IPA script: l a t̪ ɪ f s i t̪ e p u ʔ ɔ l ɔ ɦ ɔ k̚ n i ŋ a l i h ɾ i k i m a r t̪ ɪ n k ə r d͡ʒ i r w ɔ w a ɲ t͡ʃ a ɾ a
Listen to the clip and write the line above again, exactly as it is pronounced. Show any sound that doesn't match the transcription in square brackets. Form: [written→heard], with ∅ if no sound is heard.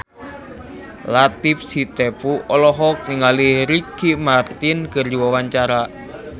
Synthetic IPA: l a t̪ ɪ f s i t̪ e p u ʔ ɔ l ɔ ɦ ɔ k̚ n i ŋ a l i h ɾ i k i m a r t̪ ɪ n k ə r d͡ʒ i [r→∅] w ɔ w a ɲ t͡ʃ a ɾ a